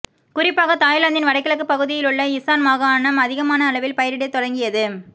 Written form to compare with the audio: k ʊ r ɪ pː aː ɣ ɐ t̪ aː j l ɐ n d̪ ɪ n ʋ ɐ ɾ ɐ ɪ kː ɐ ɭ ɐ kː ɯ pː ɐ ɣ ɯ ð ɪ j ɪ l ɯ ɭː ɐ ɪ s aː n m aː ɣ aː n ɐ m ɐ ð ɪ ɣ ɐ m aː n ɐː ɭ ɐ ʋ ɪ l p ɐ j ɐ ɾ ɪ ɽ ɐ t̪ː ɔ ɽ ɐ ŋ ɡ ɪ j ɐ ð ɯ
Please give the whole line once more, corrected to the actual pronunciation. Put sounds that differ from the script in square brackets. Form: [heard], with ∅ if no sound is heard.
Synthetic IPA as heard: k ʊ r ɪ pː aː ɣ ɐ t̪ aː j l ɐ n d̪ ɪ n ʋ ɐ [ɽ] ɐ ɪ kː ɐ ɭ ɐ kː ɯ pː ɐ ɣ ɯ ð ɪ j ɪ l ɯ ɭː ɐ ɪ s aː n m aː ɣ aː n ɐ m ɐ ð ɪ ɣ ɐ m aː n ɐː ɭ ɐ ʋ ɪ l p ɐ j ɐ ɾ ɪ ɽ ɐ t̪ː ɔ ɽ ɐ ŋ ɡ ɪ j ɐ ð ɯ